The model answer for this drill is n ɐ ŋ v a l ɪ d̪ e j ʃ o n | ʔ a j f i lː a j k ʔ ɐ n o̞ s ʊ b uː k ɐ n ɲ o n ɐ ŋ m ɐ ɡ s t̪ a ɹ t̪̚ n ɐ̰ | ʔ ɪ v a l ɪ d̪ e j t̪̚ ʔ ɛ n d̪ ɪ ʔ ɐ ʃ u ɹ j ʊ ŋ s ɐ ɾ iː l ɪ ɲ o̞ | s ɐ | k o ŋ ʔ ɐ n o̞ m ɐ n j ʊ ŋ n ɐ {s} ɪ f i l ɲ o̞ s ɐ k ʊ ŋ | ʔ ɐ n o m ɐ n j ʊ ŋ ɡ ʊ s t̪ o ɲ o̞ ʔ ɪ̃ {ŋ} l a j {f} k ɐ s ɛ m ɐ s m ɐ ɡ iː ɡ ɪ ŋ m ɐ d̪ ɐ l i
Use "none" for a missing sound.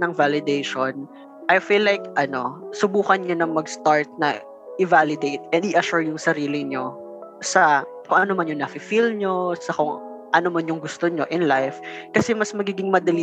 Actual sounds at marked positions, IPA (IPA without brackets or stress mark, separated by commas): f, n, f